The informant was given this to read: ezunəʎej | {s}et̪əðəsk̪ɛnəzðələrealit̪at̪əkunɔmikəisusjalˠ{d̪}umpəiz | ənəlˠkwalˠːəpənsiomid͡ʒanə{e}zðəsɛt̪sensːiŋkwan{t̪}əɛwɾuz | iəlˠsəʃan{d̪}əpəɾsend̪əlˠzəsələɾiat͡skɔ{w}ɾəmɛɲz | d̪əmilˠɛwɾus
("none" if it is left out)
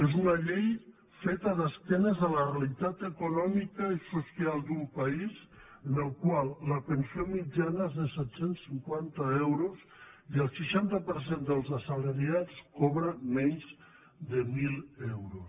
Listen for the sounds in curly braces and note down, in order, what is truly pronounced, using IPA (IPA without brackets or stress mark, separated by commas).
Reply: f, d̪, e, t̪, t̪, β